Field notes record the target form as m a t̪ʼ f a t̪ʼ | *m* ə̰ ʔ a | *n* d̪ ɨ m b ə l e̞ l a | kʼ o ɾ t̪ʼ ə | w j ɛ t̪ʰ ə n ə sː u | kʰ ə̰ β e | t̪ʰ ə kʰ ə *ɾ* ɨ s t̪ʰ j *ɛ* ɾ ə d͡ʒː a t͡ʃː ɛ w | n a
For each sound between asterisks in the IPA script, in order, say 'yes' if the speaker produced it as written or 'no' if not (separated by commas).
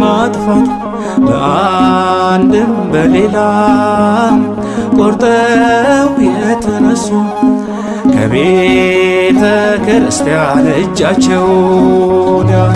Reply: no, yes, yes, no